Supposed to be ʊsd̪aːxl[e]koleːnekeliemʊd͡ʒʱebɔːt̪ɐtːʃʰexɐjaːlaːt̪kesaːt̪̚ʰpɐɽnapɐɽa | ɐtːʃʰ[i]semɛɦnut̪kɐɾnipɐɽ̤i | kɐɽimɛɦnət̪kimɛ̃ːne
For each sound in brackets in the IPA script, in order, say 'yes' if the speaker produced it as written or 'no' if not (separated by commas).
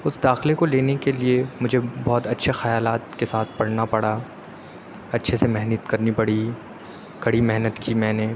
yes, no